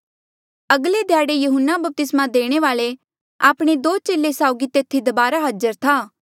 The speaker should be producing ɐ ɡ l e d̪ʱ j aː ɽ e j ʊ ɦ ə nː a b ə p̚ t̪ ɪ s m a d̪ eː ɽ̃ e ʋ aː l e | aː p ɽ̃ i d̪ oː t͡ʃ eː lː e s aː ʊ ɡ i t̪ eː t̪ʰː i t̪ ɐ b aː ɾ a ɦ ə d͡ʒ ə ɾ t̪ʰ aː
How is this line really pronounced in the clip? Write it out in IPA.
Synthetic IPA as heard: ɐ ɡ l e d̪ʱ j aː ɽ e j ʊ ɦ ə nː a b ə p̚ t̪ ɪ s m a d̪ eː ɽ̃ e ʋ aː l e | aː p ɽ̃ e d̪ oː t͡ʃ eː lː e s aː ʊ ɡ i t̪ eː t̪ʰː i d̪ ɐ b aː ɾ a ɦ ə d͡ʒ ə ɾ t̪ʰ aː

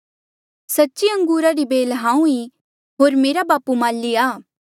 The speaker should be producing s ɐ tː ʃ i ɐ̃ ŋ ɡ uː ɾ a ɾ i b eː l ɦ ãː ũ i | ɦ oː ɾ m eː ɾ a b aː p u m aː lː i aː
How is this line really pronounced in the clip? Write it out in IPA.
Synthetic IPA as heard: s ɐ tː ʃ i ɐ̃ ŋ ɡ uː ɾ a ɾ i b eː l ɦ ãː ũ i | ɦ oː ɾ m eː ɾ a b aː p u m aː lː i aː

